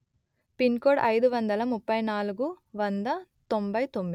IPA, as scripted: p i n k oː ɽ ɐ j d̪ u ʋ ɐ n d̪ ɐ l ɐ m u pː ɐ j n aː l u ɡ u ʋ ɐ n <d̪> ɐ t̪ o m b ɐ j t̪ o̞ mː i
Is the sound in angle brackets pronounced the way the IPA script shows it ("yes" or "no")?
yes